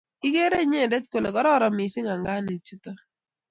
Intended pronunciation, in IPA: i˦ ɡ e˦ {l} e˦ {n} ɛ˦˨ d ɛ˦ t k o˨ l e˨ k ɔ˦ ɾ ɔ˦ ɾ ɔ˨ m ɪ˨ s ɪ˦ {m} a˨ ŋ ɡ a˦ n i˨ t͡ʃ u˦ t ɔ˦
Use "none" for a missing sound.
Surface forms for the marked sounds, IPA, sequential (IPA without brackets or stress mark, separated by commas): ɾ, ɲ, ŋ